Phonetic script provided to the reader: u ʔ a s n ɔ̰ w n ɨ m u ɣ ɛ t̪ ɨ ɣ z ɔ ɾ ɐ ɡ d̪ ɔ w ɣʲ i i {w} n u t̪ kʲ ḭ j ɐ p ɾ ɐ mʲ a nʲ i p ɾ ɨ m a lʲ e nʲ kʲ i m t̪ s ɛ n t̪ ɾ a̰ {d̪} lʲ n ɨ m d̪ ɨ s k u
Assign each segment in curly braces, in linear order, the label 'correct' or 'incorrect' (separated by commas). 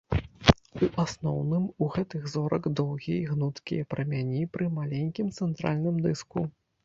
incorrect, incorrect